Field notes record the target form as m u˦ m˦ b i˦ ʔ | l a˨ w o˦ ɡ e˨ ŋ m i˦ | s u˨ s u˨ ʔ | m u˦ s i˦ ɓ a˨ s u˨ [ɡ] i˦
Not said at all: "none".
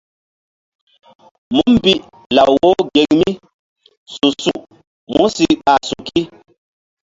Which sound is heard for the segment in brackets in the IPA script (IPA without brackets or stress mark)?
k